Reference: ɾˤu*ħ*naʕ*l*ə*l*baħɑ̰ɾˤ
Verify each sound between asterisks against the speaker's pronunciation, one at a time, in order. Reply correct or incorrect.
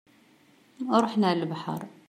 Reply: correct, correct, correct

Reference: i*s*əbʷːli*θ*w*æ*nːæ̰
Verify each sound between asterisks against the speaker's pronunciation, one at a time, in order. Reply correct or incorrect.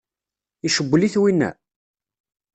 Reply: incorrect: ʃ, correct, incorrect: i

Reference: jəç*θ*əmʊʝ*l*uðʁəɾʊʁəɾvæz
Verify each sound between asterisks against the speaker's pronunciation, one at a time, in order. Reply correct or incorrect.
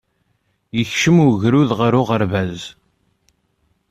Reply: incorrect: ʃ, incorrect: ɾ

